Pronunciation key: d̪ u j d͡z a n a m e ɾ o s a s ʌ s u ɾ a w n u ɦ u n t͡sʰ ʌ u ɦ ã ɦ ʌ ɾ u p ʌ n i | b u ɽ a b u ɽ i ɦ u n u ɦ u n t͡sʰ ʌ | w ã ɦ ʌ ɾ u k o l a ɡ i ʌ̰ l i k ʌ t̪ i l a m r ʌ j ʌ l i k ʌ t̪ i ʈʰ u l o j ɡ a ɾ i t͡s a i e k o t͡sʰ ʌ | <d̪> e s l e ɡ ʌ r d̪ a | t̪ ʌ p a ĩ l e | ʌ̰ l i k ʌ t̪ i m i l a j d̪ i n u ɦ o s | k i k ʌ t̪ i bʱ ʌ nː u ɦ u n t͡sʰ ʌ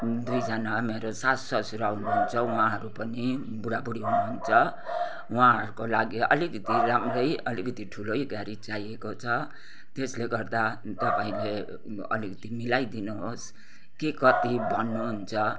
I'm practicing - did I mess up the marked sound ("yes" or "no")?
yes